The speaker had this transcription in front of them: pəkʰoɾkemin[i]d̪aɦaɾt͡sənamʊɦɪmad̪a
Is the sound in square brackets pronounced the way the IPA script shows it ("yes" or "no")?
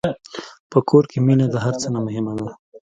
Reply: no